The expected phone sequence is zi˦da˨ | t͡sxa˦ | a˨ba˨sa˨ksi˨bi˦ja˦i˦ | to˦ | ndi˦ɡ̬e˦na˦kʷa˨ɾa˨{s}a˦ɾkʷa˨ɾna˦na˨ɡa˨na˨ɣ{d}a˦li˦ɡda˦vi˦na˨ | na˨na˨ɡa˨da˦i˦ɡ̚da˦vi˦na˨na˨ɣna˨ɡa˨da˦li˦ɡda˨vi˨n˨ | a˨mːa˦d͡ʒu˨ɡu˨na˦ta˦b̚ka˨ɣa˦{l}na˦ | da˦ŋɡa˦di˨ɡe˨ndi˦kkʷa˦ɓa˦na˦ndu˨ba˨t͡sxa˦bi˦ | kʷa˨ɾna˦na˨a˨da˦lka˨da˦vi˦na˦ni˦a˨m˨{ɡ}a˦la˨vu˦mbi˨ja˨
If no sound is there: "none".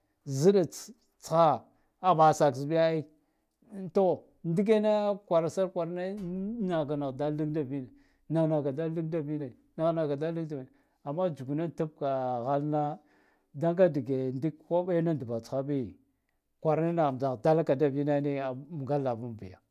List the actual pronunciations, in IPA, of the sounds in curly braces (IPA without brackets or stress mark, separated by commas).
s, d, l, ɡ